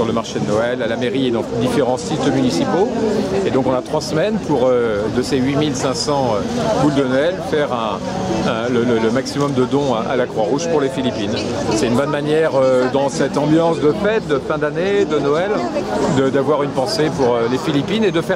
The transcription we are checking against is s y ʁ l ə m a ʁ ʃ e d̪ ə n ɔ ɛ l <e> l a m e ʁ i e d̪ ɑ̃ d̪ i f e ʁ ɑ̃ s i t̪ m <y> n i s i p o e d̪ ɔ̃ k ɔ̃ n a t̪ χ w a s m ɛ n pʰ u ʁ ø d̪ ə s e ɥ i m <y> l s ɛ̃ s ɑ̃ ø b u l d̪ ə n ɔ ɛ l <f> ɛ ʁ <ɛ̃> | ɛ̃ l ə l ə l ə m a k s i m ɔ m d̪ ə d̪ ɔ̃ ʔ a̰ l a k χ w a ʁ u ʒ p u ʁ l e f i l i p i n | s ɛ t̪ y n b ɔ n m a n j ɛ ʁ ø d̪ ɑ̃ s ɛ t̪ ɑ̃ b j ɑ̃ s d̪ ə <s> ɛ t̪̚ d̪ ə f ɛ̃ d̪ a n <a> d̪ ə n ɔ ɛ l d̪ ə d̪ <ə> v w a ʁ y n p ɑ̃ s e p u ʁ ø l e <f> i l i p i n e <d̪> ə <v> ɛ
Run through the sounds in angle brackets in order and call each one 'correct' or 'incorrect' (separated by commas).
incorrect, correct, incorrect, correct, correct, incorrect, incorrect, incorrect, correct, correct, incorrect